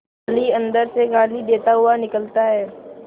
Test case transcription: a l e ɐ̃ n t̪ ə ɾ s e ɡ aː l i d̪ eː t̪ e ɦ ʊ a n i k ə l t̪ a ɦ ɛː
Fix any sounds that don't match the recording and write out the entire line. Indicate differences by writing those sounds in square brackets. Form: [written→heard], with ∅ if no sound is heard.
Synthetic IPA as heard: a l [e→i] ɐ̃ n [t̪→d̪] ə ɾ s e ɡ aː l i d̪ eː t̪ [e→a] ɦ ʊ a n [i→ɪ] k ə l t̪ a ɦ ɛː

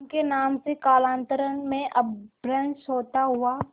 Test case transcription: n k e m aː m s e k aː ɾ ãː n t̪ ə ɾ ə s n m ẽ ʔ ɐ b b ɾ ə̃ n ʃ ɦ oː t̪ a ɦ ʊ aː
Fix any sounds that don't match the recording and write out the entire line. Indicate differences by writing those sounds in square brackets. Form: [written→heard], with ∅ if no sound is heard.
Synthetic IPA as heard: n k e [m→n] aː m s e k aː [ɾ→l] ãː n t̪ ə ɾ ə [s→∅] n m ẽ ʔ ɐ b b ɾ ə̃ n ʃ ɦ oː t̪ a ɦ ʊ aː

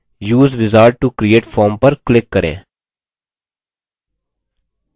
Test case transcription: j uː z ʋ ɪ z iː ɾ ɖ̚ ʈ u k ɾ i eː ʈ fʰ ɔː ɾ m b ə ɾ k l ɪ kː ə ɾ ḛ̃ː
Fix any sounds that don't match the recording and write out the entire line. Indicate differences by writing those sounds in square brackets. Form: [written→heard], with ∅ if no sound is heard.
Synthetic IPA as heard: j uː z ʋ ɪ z [iː→aː] ɾ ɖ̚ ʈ u k ɾ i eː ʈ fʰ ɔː ɾ m [b→p] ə ɾ k l ɪ kː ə ɾ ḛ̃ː

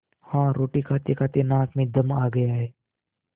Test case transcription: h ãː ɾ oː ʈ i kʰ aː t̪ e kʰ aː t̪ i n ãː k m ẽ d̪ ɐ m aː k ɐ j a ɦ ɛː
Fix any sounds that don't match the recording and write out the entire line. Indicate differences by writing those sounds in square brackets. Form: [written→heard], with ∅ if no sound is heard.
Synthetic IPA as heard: h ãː ɾ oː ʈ i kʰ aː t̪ e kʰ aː t̪ [i→e] n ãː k m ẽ d̪ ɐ m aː [k→ɡ] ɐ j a ɦ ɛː

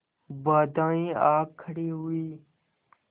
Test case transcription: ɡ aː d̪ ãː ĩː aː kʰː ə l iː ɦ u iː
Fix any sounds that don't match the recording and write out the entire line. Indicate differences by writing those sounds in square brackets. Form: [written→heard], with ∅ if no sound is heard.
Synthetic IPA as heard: [ɡ→b] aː d̪ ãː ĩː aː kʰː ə [l→ɽ] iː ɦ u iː

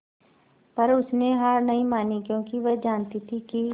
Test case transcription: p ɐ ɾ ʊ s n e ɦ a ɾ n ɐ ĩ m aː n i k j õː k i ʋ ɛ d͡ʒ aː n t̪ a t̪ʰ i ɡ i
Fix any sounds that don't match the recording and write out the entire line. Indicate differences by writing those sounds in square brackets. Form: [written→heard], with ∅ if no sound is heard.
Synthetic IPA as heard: p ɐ ɾ ʊ s n e ɦ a ɾ n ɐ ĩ m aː n i k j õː k i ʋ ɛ d͡ʒ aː n t̪ [a→i] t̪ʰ i [ɡ→k] i

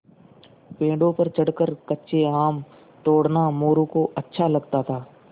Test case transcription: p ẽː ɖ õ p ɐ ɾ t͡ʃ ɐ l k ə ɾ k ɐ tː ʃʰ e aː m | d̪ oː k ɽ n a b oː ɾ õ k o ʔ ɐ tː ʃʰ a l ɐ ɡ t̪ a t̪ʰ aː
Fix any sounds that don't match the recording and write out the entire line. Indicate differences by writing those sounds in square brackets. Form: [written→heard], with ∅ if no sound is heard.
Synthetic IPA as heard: p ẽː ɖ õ p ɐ ɾ t͡ʃ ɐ [l→ɽ] k ə ɾ k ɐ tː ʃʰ e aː m | [d̪→t̪] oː [k→∅] ɽ n a [b→m] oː ɾ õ k o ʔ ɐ tː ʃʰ a l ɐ ɡ t̪ a t̪ʰ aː

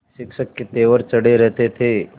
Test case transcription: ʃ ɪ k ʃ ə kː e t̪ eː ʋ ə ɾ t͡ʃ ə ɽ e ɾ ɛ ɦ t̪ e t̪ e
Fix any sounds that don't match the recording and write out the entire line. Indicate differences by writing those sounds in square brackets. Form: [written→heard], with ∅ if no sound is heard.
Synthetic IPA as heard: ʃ ɪ k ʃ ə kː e t̪ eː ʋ ə ɾ t͡ʃ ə ɽ e ɾ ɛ ɦ t̪ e [t̪→t̪ʰ] e

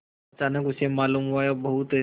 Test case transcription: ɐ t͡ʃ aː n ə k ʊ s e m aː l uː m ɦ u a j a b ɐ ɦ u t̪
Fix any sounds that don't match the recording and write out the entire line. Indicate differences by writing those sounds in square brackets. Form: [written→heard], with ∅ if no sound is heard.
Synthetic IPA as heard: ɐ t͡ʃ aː n ə k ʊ s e m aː l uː m ɦ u a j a b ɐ ɦ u t̪

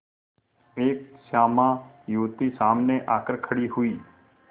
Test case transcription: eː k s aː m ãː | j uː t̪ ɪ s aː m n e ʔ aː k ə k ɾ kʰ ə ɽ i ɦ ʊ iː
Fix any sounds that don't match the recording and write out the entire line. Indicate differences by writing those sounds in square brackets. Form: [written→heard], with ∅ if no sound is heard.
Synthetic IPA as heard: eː k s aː m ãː | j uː t̪ [ɪ→i] s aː m n e ʔ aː k ə [k→∅] ɾ kʰ ə ɽ i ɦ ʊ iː

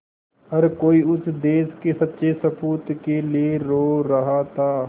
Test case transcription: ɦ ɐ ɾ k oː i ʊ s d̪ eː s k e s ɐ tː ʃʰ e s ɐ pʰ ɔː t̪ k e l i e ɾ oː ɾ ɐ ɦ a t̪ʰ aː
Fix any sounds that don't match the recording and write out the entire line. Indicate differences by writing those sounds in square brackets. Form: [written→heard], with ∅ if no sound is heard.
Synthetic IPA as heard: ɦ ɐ ɾ k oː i ʊ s d̪ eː s k e s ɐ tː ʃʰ e s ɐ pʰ [ɔː→uː] t̪ k e l i e ɾ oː ɾ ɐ ɦ a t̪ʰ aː

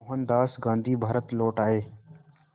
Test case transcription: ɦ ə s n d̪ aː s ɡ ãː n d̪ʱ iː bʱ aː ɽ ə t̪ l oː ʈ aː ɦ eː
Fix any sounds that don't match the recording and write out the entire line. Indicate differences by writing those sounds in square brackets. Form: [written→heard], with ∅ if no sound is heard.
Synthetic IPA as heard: ɦ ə [s→∅] n d̪ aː s ɡ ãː n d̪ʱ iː bʱ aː [ɽ→ɾ] ə t̪ l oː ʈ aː ɦ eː

